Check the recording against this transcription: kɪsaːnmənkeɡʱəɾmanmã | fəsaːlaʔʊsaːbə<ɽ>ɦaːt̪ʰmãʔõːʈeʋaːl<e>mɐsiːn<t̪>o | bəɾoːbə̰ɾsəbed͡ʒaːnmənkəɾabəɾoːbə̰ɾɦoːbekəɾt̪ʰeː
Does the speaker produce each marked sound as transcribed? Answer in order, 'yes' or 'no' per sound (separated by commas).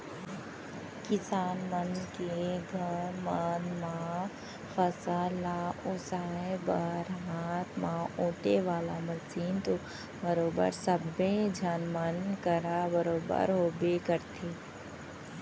no, no, yes